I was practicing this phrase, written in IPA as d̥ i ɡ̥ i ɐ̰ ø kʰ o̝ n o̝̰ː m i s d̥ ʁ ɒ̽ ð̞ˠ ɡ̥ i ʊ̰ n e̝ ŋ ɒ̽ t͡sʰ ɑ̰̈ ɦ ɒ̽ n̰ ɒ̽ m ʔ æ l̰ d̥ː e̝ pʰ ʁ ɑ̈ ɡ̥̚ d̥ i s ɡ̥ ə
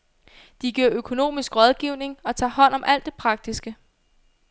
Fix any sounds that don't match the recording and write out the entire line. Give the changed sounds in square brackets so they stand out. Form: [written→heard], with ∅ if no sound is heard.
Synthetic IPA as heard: d̥ i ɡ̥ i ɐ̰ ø kʰ o̝ n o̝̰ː m i s [d̥→ɡ̥] ʁ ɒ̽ ð̞ˠ ɡ̥ i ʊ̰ n e̝ ŋ ɒ̽ t͡sʰ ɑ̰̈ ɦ ɒ̽ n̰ ɒ̽ m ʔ æ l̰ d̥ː e̝ pʰ ʁ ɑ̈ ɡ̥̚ d̥ i s ɡ̥ ə

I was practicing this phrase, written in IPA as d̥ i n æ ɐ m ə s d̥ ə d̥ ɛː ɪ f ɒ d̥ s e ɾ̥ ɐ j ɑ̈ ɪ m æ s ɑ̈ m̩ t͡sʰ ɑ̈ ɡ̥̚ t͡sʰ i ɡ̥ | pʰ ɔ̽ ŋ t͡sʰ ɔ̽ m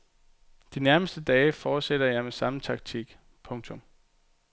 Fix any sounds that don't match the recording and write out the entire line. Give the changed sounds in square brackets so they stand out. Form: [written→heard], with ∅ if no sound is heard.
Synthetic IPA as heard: d̥ i n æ ɐ m ə s d̥ ə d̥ ɛː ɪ f [ɒ→ɒː] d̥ s e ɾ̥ ɐ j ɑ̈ ɪ m [æ→e] s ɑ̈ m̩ t͡sʰ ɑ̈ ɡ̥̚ t͡sʰ i ɡ̥ | pʰ ɔ̽ ŋ t͡sʰ ɔ̽ m

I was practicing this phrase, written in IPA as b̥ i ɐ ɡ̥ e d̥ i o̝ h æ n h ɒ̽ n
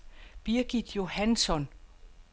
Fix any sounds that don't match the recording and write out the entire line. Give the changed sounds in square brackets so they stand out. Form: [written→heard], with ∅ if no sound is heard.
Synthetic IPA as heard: b̥ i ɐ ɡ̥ [e→i] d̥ [i→j] o̝ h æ n [h→s] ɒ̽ n

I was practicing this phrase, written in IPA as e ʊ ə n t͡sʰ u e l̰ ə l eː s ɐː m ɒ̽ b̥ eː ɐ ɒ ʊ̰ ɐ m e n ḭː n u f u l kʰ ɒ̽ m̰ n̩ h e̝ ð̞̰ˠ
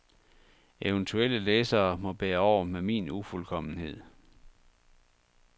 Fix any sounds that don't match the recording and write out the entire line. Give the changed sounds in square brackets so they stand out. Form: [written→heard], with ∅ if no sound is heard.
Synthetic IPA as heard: e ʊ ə n t͡sʰ u e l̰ ə l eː s ɐː m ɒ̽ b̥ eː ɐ ɒ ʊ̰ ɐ m e [n→m] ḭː n u f u l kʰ ɒ̽ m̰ n̩ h e̝ ð̞̰ˠ

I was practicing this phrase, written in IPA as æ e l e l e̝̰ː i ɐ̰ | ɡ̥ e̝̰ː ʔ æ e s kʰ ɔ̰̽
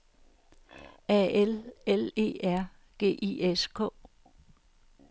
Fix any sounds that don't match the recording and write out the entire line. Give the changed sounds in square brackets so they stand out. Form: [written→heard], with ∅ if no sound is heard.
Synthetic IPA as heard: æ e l e l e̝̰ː [i→æ] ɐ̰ | ɡ̥ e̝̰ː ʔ [æ→i] e s kʰ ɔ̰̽

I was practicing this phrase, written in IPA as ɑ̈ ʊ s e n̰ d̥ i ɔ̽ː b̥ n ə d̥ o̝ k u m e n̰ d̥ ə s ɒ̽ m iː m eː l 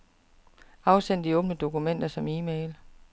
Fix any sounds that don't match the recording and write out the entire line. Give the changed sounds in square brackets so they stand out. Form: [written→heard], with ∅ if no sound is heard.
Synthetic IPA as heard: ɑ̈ ʊ s e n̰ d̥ i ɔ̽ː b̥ n ə d̥ o̝ k u m e n̰ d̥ [ə→ɐ] s ɒ̽ m iː m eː l

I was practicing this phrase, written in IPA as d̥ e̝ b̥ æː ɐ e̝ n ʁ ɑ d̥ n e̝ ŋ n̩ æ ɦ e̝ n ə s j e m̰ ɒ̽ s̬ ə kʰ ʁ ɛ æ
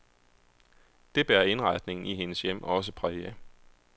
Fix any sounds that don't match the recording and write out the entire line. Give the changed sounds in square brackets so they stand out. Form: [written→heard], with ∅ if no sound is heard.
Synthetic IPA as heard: d̥ e̝ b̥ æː ɐ e̝ n ʁ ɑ d̥ n e̝ ŋ n̩ [æ→i] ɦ e̝ n ə s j e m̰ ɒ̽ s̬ ə [kʰ→pʰ] ʁ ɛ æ

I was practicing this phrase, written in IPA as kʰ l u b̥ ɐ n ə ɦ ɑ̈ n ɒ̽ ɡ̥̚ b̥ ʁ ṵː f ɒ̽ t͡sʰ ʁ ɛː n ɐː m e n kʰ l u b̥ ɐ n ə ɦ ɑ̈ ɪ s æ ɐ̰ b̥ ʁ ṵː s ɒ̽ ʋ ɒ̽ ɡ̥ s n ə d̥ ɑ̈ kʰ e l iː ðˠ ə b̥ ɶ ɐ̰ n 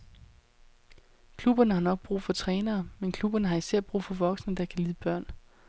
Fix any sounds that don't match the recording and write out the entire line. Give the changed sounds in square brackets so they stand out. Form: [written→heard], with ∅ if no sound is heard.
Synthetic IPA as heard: kʰ l u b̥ ɐ n ə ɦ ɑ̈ n ɒ̽ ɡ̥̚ b̥ ʁ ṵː f ɒ̽ t͡sʰ ʁ ɛː n ɐː m e n kʰ l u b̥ ɐ n ə ɦ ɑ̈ [ɪ→i] s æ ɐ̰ b̥ ʁ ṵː [s→f] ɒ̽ ʋ ɒ̽ ɡ̥ s n ə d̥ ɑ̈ kʰ [e→æ] l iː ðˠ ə b̥ ɶ ɐ̰ n

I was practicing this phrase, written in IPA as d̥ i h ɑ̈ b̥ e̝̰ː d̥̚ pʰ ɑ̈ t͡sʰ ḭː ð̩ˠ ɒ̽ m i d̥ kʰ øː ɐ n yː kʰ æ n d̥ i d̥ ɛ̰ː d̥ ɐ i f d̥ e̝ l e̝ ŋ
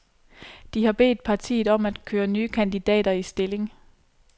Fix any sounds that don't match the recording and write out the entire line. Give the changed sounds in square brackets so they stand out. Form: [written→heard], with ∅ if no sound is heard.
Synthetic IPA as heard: d̥ i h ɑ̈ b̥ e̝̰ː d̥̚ pʰ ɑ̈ t͡sʰ ḭː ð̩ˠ ɒ̽ m [i→æ] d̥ kʰ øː ɐ n yː kʰ æ n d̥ i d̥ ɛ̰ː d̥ ɐ i [f→s] d̥ e̝ l e̝ ŋ

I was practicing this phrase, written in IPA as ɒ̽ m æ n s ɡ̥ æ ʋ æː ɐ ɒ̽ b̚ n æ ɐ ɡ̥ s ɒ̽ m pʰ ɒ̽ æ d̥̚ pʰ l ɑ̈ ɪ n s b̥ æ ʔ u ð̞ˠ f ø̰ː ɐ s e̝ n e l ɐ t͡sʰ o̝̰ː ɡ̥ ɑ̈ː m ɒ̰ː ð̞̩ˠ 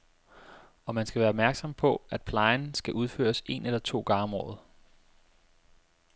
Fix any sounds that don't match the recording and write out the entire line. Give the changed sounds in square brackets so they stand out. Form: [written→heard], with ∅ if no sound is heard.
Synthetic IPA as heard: ɒ̽ m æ n s ɡ̥ æ ʋ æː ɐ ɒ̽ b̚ [n→m] æ ɐ ɡ̥ s ɒ̽ m pʰ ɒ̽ æ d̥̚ pʰ l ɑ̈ ɪ n s [b̥→ɡ̥] æ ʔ u ð̞ˠ f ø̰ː ɐ s e̝ n e l ɐ t͡sʰ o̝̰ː ɡ̥ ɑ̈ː m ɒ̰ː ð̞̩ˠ

